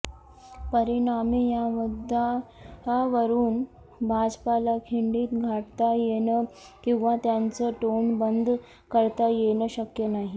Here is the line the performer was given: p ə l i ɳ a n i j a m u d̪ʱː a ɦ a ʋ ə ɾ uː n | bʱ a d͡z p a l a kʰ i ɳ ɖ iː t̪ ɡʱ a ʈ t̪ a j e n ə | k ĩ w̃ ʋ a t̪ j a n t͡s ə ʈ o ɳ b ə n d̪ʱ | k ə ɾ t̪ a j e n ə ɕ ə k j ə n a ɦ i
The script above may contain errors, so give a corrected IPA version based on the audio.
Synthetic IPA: p ə ɾ i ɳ a m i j a m u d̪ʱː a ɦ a ʋ ə ɾ uː n | bʱ a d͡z p a l a kʰ i ɳ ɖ iː t̪ ɡʱ a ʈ t̪ a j e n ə | k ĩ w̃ ʋ a t̪ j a n t͡s ə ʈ o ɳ b ə n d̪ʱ | k ə ɾ t̪ a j e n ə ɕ ə k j ə n a ɦ i